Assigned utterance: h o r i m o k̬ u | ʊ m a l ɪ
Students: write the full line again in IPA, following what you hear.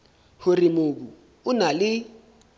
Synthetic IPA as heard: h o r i m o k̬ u | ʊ n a l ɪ